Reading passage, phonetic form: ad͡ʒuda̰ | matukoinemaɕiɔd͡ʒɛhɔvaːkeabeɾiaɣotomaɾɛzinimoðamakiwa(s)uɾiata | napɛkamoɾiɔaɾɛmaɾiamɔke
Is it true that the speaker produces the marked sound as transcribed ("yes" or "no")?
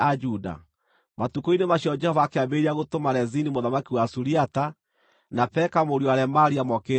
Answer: yes